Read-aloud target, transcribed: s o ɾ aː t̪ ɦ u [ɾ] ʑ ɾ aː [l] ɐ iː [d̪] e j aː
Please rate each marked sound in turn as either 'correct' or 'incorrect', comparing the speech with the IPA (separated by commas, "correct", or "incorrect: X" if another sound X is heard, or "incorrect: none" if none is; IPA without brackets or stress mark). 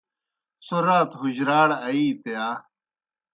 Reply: incorrect: none, incorrect: ɽ, incorrect: t̪